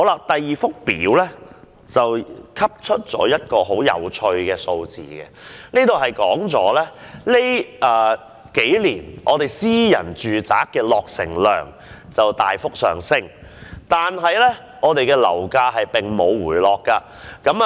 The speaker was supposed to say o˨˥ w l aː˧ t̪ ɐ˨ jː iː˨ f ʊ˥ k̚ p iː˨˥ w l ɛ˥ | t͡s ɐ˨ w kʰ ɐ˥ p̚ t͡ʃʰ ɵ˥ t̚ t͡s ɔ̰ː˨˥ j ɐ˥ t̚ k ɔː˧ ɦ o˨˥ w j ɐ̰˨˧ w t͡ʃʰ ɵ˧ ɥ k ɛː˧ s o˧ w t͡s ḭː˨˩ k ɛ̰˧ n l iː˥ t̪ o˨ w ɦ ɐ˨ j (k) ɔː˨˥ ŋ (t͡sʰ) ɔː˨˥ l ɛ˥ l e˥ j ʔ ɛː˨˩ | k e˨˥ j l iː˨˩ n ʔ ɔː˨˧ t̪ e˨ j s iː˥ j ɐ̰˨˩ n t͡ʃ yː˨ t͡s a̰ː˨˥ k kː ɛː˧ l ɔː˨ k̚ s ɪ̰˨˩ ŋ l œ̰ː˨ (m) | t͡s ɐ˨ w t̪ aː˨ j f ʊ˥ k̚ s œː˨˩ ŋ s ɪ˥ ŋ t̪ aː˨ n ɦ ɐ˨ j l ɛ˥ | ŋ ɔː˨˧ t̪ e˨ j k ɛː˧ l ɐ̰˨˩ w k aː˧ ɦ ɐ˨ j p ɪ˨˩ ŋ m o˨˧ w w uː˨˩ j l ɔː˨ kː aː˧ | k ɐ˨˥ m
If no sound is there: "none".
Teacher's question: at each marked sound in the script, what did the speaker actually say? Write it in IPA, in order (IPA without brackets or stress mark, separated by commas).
k, t͡s, ŋ